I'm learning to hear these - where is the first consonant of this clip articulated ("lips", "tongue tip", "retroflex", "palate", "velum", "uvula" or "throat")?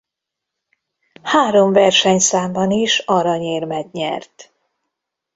throat